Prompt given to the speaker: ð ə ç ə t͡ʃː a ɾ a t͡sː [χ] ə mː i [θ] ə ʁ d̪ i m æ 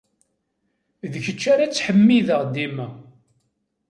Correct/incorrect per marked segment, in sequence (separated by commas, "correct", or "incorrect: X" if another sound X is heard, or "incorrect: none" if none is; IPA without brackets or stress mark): incorrect: ħ, incorrect: ð